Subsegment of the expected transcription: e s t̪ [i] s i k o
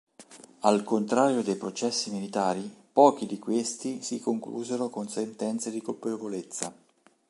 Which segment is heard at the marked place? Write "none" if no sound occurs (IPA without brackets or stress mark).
i